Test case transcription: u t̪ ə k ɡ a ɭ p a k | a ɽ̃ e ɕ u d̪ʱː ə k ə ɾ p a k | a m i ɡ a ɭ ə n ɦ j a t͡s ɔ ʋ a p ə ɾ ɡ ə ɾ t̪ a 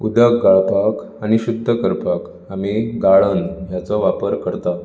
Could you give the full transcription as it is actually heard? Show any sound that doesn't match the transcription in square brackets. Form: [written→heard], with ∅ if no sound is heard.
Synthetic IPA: u [t̪→d̪] ə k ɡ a ɭ p a k | a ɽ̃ [e→i] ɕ u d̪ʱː ə k ə ɾ p a k | a m i ɡ a ɭ ə n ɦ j a t͡s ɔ ʋ a p ə ɾ [ɡ→k] ə ɾ t̪ a